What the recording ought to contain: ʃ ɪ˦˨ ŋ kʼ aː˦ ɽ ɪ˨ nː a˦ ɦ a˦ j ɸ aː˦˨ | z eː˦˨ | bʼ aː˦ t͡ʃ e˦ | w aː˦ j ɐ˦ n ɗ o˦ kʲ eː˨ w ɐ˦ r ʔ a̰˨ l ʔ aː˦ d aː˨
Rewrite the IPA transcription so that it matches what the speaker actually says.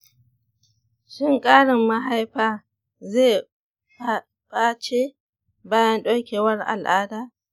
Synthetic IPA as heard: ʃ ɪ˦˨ ŋ kʼ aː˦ ɽ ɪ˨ mː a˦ ɦ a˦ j ɸ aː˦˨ | z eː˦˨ | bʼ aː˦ t͡ʃ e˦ | b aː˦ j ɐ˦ n ɗ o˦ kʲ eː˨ w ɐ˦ r ʔ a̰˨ l ʔ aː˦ d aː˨